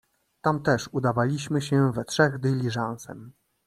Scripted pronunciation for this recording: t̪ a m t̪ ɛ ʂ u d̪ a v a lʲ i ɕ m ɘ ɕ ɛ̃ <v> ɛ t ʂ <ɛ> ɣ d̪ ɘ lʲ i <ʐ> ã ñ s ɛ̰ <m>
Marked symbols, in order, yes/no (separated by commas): yes, yes, yes, yes